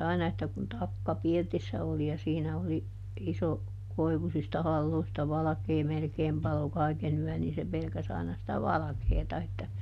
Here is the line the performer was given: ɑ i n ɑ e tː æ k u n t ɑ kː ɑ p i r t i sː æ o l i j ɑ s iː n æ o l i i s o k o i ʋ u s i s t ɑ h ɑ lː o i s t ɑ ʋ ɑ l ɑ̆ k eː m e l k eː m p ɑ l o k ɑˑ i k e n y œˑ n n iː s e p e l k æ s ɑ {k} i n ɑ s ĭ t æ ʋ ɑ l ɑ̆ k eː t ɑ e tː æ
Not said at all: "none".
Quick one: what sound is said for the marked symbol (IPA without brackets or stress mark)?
none